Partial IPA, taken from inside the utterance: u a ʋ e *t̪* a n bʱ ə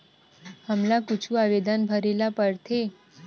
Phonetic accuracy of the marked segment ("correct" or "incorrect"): incorrect